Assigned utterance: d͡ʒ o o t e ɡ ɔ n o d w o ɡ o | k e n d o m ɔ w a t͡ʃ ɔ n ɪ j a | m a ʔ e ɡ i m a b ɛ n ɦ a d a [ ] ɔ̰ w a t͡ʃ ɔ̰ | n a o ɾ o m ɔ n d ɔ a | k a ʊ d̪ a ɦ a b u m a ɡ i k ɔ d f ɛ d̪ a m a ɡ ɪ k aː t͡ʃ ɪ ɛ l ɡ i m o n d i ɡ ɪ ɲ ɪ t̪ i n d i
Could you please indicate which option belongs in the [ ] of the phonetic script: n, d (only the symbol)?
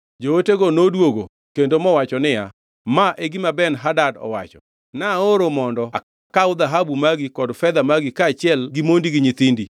d